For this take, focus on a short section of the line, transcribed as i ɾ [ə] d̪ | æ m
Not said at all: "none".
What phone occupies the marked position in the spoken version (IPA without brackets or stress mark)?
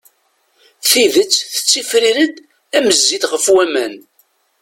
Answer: ə